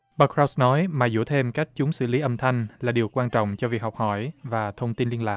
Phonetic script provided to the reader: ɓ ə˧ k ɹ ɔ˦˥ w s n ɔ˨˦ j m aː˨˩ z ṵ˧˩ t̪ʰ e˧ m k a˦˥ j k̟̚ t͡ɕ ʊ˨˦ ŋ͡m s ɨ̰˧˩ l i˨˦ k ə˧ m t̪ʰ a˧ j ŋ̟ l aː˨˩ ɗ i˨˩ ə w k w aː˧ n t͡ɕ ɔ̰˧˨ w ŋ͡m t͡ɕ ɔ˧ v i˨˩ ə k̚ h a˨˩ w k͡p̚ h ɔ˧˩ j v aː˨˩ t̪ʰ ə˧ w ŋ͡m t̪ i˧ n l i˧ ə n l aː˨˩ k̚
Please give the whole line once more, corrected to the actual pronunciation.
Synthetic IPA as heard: ɓ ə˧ k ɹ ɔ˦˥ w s n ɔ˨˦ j m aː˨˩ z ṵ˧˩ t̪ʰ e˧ m k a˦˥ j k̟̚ t͡ɕ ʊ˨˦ ŋ͡m s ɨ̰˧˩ l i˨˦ ʔ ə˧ m t̪ʰ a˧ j ŋ̟ l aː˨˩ ɗ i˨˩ ə w k w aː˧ n t͡ɕ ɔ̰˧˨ w ŋ͡m t͡ɕ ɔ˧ v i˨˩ ə k̚ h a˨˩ w k͡p̚ h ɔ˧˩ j v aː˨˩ t̪ʰ ə˧ w ŋ͡m t̪ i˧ n l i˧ ə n l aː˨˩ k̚

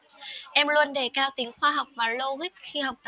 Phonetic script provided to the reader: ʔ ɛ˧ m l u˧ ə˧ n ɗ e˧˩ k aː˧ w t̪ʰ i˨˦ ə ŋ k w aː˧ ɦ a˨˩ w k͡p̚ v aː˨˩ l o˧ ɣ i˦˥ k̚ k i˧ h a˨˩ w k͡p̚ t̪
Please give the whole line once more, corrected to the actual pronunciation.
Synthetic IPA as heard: ʔ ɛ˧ m l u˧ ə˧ n ɗ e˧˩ k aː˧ w t̪ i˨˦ ə ŋ x w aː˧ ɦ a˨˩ w k͡p̚ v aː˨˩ l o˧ ɣ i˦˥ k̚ x i˧ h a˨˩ w k͡p̚ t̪

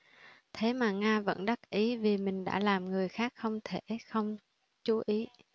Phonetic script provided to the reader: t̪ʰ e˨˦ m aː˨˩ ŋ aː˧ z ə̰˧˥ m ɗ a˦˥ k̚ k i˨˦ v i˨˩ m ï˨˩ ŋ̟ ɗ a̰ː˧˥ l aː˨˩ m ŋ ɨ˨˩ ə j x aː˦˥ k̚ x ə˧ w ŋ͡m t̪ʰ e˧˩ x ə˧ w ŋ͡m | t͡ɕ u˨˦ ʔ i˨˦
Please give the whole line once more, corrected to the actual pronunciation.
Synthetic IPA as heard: t̪ʰ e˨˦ m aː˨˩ ŋ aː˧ v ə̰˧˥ n ɗ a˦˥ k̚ ʔ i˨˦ v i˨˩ m ï˨˩ ŋ̟ ɗ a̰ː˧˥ l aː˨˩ m ŋ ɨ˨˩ ə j x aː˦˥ k̚ x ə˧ w ŋ͡m t̪ʰ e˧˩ x ə˧ w ŋ͡m | t͡ɕ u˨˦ ʔ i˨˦

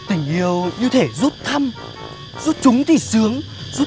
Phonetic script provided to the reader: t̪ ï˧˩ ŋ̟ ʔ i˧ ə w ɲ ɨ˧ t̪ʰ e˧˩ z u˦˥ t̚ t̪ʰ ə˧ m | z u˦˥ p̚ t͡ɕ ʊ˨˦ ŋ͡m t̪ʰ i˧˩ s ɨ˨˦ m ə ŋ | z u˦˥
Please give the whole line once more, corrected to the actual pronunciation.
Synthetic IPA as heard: t̪ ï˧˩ ŋ̟ ʔ i˧ ə w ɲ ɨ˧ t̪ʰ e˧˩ z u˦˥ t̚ t̪ʰ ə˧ m | z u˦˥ t̚ t͡ɕ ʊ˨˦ ŋ͡m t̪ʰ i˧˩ s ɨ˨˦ ə ŋ | z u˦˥

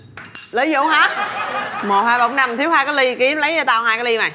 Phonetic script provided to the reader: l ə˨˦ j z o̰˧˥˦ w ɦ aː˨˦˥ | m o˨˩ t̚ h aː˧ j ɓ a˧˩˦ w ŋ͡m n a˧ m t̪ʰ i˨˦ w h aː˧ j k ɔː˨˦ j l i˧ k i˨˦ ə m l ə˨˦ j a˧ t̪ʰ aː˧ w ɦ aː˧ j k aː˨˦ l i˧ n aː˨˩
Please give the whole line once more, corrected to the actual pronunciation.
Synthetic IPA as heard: l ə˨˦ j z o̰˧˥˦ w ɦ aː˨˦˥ | m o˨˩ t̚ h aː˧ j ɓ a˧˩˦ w ŋ͡m n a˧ m t̪ʰ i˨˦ w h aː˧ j k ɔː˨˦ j l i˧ k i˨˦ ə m l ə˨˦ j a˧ t̪ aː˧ w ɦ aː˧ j k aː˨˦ l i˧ m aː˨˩

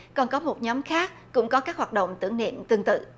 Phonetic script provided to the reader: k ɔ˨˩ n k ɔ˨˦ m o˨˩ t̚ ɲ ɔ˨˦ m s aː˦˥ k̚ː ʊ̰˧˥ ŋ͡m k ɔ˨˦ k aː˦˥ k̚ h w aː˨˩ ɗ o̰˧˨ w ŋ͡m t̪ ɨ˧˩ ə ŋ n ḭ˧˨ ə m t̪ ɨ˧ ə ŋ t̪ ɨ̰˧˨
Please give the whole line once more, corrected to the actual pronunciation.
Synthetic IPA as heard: k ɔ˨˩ n k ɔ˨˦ m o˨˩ t̚ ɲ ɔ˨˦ m x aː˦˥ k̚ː ʊ̰˧˥ ŋ͡m k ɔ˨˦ k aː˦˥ k̚ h w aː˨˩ ɗ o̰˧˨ w ŋ͡m t̪ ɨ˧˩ ə ŋ n ḭ˧˨ ə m t̪ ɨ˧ ə ŋ t̪ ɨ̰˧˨

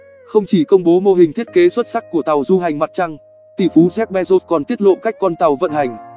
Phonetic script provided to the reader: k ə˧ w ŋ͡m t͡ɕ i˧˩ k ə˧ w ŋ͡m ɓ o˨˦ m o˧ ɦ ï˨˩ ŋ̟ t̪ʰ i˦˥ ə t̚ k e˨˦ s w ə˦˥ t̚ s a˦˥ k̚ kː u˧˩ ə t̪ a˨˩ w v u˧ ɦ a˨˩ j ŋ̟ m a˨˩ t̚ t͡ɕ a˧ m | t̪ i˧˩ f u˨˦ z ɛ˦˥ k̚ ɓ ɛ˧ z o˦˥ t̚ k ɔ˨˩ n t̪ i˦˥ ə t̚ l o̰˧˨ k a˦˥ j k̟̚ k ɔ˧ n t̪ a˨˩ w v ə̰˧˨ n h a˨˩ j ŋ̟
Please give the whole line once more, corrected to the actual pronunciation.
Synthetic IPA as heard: x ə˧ w ŋ͡m t͡ɕ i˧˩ k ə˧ w ŋ͡m ɓ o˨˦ m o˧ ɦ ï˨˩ ŋ̟ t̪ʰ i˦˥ ə t̚ k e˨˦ s w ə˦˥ t̚ s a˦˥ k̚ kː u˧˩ ə t̪ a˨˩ w z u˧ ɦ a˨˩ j ŋ̟ m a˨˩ t̚ t͡ɕ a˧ ŋ | t̪ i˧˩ f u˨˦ z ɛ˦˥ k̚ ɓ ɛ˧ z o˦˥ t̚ k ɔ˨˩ n t̪ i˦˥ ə t̚ l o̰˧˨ k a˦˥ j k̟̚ k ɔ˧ n t̪ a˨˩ w v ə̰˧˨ n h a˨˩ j ŋ̟

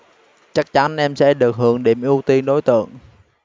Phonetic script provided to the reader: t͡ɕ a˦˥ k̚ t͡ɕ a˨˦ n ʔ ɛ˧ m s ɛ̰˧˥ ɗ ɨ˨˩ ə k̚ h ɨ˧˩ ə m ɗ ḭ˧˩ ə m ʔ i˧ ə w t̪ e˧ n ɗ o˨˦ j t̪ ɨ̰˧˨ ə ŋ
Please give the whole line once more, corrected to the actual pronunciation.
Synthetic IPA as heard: t͡ɕ a˦˥ k̚ t͡ɕ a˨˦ n ʔ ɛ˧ m s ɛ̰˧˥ ɗ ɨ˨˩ ə k̚ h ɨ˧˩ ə ŋ ɗ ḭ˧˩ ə m ʔ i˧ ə w t̪ i˧ n ɗ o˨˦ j t̪ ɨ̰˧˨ ə ŋ

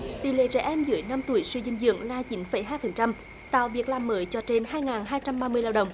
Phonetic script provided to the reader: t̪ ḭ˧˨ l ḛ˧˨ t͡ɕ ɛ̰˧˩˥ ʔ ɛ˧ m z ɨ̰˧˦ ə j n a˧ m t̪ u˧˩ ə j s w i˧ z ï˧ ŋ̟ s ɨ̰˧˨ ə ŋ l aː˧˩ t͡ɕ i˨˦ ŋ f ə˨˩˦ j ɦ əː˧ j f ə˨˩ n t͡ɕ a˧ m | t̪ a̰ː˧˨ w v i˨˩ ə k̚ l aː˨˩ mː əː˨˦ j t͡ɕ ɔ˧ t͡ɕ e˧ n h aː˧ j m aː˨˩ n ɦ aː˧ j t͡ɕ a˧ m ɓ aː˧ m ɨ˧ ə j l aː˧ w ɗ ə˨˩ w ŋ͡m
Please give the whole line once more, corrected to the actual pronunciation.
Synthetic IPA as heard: t̪ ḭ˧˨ l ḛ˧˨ t͡ɕ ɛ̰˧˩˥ ʔ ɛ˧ m z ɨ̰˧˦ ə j n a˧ m t̪ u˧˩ ə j s w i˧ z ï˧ ŋ̟ z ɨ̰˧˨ ə ŋ l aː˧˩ t͡ɕ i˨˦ n f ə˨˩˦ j ɦ aː˧ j f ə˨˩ n t͡ɕ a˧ m | t̪ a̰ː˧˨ w v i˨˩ ə k̚ l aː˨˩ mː əː˨˦ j t͡ɕ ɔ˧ t͡ɕ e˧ n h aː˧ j ŋ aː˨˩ n ɦ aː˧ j t͡ɕ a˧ m ɓ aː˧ m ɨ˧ ə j l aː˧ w ɗ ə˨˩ w ŋ͡m

